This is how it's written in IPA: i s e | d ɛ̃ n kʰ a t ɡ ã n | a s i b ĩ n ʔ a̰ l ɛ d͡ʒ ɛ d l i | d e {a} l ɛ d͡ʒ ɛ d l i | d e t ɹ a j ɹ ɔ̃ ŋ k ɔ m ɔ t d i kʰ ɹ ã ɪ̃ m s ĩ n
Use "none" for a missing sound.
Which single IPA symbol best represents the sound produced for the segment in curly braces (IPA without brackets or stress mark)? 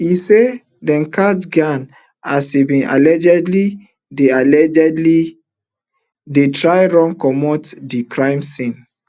a